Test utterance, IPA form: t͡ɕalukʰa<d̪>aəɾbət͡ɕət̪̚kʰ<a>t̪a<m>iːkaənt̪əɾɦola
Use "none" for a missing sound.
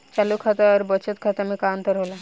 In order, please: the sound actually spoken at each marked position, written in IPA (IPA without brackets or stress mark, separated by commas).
t̪, a, m